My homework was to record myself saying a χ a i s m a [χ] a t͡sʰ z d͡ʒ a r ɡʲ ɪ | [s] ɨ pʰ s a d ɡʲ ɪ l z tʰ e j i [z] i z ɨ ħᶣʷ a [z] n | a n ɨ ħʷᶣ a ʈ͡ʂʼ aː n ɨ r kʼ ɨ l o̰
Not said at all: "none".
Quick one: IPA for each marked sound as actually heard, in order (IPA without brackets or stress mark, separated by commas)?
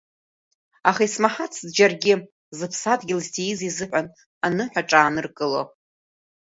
ħ, z, z, none